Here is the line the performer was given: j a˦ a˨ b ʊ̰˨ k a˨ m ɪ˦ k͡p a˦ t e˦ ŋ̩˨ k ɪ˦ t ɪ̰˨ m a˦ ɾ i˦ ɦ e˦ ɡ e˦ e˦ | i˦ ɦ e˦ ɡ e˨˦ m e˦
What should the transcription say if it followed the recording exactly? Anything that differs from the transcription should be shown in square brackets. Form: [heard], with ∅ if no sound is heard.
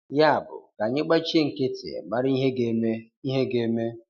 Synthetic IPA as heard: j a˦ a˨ b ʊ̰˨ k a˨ [ɲ] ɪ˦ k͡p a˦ [t͡ʃ] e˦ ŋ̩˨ k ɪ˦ t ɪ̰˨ m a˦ ɾ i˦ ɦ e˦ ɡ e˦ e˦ | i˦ ɦ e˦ ɡ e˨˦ m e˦